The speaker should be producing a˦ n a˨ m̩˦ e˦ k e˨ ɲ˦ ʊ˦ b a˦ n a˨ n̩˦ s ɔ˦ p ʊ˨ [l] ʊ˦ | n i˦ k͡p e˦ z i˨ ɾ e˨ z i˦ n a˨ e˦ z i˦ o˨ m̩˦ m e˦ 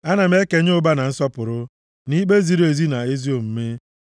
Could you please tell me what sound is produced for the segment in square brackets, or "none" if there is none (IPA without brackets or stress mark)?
ɾ